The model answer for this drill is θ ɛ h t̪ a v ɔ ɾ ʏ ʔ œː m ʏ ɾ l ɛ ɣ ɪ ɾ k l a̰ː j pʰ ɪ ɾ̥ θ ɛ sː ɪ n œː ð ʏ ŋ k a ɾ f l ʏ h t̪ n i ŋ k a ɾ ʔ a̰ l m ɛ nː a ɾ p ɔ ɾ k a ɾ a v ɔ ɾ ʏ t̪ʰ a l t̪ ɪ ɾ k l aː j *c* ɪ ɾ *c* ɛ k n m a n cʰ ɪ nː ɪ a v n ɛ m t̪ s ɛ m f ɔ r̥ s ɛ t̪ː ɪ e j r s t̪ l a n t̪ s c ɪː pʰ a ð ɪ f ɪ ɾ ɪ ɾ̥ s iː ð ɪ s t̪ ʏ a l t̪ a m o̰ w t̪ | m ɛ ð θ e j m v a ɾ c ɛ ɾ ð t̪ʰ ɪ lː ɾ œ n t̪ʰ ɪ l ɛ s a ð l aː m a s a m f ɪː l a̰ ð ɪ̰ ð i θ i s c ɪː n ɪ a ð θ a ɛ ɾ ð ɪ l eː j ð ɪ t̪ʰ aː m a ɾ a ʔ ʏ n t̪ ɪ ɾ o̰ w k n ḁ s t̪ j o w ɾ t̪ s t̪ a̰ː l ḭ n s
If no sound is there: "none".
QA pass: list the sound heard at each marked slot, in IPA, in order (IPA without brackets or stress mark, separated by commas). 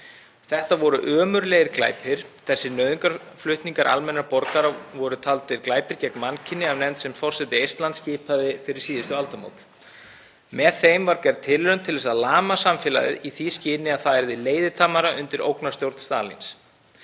p, c